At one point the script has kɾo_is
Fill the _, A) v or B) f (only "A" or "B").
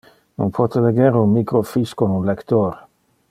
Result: B